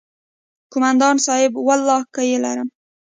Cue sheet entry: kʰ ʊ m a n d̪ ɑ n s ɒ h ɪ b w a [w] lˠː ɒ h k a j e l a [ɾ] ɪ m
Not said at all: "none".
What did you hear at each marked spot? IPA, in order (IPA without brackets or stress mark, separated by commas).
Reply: none, ɾ